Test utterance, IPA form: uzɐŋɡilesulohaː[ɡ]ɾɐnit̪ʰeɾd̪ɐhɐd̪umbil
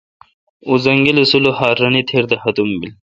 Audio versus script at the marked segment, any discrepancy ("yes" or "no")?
yes